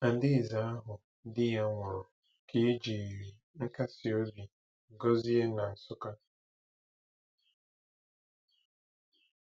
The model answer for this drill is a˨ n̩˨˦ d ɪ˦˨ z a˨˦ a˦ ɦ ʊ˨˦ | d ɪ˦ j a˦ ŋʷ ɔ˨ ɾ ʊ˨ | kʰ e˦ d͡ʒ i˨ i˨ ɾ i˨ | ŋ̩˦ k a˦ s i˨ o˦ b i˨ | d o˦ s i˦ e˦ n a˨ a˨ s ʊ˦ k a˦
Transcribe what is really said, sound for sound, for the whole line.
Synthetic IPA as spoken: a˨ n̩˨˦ d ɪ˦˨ z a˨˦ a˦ ɦ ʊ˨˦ | d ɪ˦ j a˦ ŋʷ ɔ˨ ɾ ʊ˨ | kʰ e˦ d͡ʒ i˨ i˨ ɾ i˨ | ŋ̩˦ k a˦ s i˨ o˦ b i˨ | ɡ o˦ z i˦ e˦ n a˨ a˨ s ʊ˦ k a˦